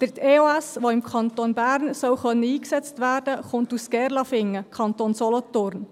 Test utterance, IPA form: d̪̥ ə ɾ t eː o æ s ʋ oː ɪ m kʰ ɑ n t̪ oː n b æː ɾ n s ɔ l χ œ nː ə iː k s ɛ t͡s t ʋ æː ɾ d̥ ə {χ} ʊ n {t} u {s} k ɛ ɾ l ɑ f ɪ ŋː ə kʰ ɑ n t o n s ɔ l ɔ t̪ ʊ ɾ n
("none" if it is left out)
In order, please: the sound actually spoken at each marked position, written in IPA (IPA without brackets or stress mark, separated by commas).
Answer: χ, t, s